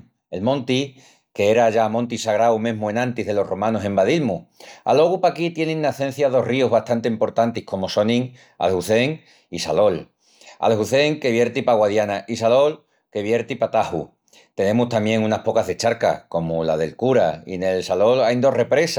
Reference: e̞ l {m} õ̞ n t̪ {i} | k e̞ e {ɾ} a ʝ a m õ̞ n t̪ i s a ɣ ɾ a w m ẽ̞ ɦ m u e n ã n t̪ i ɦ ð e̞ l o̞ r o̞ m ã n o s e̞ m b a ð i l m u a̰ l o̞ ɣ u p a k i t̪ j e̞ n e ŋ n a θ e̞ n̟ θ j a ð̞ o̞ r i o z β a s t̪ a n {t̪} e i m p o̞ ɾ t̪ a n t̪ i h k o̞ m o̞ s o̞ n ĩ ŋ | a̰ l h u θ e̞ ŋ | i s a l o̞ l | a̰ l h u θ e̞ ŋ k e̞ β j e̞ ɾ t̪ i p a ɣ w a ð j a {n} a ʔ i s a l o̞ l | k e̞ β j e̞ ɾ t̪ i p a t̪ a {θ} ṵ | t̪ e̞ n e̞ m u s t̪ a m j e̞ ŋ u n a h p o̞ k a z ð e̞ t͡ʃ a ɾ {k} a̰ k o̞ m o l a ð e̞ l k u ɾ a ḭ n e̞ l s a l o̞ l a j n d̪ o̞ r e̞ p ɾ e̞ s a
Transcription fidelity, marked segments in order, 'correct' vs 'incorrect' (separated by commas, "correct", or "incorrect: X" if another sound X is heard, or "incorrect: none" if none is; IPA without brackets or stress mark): correct, correct, correct, correct, correct, incorrect: h, correct